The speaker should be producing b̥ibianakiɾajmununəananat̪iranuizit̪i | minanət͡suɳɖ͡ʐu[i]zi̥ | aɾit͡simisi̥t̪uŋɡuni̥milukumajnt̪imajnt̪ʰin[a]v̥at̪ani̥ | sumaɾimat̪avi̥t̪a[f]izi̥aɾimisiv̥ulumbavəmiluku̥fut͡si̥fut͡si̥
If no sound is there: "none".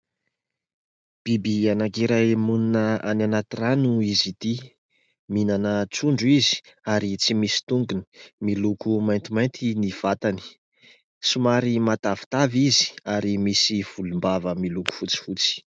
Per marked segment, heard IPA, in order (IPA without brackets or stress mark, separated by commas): i, i, v